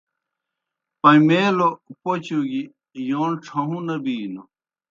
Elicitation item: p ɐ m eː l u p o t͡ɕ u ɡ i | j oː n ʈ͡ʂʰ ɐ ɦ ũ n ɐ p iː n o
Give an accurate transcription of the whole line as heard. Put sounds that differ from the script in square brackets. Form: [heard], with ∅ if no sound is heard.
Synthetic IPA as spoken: p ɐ m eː l [o] p o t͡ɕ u ɡ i | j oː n ʈ͡ʂʰ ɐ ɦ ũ n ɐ [b] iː n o